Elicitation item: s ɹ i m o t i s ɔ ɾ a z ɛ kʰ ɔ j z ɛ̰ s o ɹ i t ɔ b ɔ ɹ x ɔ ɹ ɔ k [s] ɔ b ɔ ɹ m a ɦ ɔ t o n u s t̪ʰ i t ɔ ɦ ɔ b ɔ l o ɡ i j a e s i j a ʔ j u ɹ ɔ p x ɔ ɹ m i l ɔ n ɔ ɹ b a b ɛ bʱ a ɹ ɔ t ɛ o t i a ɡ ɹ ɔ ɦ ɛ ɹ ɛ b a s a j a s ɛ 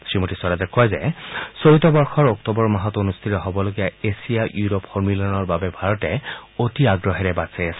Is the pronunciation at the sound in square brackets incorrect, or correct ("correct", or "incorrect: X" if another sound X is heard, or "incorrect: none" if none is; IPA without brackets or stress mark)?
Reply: incorrect: t